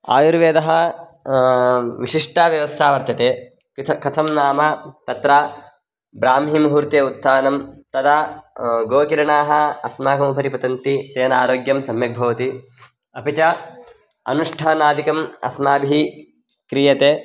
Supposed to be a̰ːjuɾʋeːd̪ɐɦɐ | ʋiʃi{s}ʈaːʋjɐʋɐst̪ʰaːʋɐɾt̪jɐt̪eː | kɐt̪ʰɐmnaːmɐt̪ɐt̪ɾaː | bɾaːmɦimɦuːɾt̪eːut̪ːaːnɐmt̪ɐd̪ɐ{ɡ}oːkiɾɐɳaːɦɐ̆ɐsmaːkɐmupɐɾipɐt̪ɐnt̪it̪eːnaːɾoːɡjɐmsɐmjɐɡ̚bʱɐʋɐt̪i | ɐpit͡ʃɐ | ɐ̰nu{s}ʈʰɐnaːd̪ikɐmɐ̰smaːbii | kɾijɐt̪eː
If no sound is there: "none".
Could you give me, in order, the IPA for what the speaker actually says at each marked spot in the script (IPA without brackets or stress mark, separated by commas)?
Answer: ʂ, ɡ, ʂ